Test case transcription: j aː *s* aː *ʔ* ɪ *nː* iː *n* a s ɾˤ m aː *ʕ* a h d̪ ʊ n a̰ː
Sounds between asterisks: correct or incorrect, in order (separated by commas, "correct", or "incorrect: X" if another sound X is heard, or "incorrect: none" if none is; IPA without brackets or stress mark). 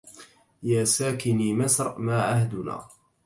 correct, incorrect: k, incorrect: n, incorrect: m, correct